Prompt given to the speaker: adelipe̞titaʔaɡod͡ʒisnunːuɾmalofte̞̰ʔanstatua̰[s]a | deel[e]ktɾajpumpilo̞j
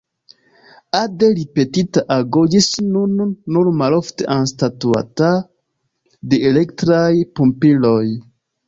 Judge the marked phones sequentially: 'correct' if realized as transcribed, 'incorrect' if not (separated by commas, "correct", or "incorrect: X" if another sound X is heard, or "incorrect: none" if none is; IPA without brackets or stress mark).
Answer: incorrect: t, correct